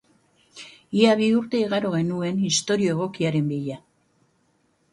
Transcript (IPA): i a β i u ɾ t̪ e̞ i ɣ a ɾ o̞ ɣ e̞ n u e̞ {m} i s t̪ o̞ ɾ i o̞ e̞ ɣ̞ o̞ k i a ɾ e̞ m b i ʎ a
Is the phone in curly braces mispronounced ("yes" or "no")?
yes